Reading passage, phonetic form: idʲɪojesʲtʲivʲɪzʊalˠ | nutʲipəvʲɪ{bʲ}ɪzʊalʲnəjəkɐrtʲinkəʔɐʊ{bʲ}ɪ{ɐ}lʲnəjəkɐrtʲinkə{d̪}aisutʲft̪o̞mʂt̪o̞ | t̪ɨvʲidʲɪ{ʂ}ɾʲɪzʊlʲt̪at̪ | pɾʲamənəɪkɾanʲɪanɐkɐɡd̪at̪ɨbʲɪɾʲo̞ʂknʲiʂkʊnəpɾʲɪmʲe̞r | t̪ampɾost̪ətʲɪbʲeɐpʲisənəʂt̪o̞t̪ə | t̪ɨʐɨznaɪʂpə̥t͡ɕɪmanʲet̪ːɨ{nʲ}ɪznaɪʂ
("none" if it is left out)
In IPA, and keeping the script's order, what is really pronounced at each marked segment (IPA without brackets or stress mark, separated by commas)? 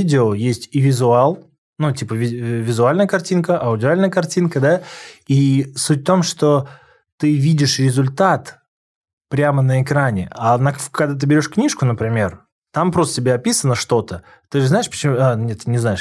vʲ, dʲ, a, d̪, ʂ, nʲ